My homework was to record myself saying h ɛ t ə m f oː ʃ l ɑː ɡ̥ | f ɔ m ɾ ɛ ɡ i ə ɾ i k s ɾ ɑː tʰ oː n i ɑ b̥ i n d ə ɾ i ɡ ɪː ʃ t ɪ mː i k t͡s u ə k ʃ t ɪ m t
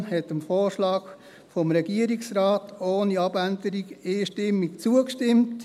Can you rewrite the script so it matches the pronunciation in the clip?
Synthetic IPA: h ɛ t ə m f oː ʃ l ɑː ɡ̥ | f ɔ m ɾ ɛ ɡ i ə ɾ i k s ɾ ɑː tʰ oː n i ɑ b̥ æ n d ə ɾ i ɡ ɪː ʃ t ɪ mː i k t͡s u ə k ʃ t ɪ m t